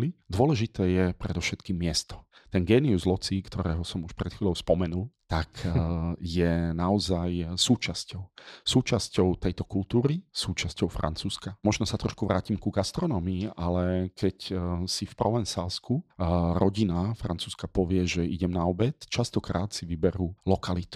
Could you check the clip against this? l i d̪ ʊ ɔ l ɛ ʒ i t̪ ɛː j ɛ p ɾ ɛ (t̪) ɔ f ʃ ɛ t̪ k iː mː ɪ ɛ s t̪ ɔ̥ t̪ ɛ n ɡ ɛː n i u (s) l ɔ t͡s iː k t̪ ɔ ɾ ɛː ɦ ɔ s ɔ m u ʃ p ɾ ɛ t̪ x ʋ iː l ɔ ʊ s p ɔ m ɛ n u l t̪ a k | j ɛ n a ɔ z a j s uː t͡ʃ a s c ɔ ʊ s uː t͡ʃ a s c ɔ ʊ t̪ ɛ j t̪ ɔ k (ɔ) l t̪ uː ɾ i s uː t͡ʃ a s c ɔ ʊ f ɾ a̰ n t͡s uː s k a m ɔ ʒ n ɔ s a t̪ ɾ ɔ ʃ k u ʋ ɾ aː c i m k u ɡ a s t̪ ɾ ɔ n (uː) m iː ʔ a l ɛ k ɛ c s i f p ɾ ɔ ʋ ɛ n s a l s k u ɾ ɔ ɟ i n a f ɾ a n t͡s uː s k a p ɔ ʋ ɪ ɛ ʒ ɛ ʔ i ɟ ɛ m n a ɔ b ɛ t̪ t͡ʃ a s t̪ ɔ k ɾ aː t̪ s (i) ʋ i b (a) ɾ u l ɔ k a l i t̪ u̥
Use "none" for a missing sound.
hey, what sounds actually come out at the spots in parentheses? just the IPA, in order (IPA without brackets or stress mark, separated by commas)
d̪, z, u, ɔː, i, ɛ